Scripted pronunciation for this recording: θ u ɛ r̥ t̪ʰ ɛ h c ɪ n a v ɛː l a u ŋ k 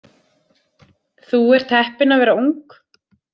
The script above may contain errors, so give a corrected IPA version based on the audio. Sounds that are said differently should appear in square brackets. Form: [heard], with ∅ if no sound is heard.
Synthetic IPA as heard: θ u ɛ [ɾ̥] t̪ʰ ɛ h [p] ɪ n a v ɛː [ɾ] a u ŋ k